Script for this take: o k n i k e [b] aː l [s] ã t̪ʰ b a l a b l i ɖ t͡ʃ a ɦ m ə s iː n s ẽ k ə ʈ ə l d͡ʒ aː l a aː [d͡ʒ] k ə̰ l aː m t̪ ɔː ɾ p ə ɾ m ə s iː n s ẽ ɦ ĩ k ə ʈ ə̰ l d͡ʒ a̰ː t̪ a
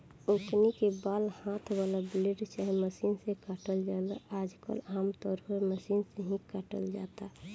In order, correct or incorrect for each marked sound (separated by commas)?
correct, incorrect, correct